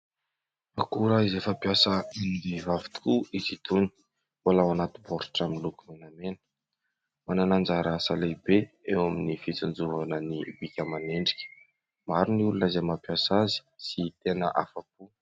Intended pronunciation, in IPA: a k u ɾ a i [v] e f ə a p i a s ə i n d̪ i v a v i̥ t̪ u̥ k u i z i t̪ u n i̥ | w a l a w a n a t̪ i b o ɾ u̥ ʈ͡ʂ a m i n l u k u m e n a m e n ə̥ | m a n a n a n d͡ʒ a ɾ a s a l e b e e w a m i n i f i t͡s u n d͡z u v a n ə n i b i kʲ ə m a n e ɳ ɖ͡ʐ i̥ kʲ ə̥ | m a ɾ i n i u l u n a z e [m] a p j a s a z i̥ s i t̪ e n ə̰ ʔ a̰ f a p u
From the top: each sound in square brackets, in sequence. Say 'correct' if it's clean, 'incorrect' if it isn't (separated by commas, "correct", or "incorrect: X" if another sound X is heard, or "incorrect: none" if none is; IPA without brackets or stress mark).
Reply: incorrect: z, correct